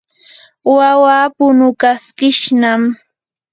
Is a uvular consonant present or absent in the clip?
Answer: absent